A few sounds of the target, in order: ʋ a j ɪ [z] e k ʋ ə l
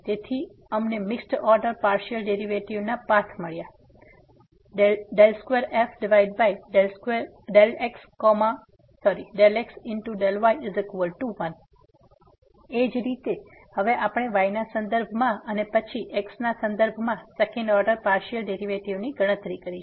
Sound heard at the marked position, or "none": z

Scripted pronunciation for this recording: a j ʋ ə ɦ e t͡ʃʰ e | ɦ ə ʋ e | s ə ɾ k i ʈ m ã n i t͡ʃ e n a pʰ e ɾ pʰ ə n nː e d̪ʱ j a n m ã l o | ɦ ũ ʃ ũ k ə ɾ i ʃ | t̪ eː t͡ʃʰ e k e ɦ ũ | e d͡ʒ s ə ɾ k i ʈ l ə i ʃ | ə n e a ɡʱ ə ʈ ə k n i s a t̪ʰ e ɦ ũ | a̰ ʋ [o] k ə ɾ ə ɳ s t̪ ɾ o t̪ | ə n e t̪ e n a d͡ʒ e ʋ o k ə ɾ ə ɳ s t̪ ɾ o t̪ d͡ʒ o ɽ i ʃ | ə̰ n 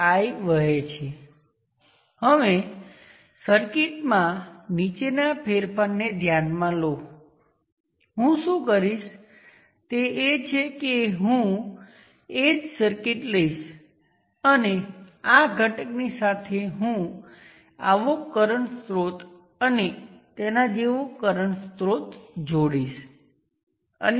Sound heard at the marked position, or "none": o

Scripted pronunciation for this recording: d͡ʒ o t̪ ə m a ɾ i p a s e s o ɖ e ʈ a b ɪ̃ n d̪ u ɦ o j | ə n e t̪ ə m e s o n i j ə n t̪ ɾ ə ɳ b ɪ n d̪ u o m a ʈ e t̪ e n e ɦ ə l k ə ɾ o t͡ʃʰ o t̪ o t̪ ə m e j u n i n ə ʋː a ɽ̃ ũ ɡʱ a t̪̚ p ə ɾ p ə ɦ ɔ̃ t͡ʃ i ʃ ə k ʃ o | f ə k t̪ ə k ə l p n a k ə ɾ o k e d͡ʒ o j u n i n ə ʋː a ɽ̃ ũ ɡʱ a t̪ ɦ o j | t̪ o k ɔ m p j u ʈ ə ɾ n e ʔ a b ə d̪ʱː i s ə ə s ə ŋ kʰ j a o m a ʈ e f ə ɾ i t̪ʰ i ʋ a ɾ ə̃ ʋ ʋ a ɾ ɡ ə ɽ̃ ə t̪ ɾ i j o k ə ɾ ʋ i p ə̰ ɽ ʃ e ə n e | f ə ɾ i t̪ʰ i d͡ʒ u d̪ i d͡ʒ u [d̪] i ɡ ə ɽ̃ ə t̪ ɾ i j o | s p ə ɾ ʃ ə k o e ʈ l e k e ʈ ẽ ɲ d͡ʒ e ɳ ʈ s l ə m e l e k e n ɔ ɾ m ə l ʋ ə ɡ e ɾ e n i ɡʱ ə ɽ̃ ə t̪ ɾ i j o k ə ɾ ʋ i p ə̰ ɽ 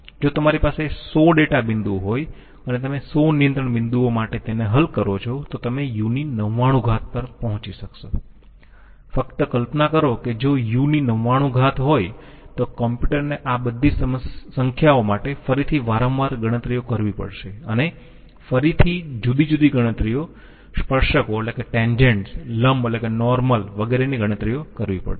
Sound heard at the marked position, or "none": d̪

